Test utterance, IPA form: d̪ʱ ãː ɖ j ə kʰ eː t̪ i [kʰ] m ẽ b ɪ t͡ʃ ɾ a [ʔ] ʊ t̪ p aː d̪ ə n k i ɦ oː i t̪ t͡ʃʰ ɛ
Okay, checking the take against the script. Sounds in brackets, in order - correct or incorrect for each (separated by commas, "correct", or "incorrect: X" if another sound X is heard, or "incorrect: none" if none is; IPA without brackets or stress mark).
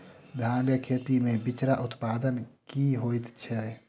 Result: incorrect: none, correct